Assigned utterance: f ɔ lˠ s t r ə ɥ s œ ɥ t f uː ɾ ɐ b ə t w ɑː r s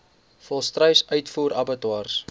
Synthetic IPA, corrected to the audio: f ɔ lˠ s t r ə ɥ s œ ɥ t f uː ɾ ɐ b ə t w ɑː r s